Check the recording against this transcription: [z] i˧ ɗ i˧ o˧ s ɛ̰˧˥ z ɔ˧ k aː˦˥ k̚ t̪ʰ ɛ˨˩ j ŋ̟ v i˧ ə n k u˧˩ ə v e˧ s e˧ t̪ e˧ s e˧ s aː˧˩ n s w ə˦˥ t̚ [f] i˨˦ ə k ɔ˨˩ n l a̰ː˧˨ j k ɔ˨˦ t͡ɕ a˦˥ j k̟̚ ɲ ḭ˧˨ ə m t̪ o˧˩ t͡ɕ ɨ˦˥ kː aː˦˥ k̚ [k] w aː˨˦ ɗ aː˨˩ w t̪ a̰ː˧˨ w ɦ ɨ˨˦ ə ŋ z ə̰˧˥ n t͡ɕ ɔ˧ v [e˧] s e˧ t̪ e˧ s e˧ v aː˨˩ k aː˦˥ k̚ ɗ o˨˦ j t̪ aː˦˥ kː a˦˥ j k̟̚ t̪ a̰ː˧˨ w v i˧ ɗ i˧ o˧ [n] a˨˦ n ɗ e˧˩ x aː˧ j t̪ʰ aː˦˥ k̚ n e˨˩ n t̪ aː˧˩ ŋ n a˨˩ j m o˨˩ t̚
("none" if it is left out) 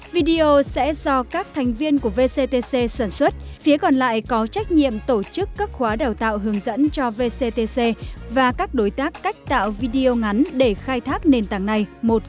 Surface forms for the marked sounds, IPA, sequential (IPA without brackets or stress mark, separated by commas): v, f, x, e˧, ŋ